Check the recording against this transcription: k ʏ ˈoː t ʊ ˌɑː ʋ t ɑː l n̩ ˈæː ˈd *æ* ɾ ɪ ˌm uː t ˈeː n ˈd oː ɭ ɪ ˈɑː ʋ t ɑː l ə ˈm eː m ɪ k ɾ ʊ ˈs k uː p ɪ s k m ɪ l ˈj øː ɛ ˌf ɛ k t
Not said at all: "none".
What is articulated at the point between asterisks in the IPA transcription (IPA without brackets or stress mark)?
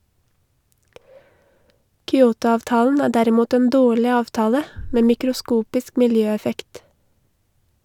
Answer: æ